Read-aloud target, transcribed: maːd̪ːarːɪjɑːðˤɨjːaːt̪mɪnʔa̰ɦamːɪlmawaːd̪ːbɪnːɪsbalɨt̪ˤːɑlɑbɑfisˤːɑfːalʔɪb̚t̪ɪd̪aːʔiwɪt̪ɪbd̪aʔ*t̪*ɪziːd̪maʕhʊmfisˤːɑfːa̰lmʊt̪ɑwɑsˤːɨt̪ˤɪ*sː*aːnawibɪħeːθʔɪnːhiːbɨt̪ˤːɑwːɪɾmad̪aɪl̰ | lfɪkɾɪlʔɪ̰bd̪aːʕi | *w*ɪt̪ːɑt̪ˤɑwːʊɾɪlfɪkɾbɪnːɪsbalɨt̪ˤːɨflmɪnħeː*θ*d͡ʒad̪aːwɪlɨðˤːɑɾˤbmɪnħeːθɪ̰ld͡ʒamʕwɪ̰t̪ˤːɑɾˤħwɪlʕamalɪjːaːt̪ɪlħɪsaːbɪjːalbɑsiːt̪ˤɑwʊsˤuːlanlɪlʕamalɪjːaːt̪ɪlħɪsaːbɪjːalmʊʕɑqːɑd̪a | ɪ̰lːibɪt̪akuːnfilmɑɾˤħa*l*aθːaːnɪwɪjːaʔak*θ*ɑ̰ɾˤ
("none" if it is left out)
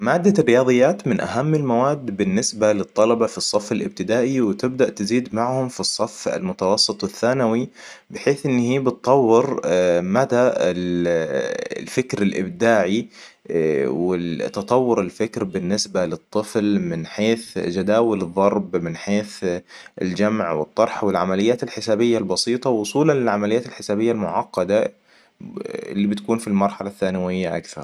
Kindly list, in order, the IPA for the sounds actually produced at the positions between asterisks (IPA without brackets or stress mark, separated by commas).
t̪, θː, w, θ, l, θ